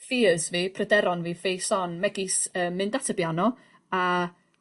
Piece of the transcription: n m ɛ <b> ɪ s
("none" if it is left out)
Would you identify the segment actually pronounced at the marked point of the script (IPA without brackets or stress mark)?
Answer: ɡ